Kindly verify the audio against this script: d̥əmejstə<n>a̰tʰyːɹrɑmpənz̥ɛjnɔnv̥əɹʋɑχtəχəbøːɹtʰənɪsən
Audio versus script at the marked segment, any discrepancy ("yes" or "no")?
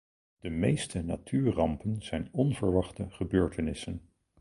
no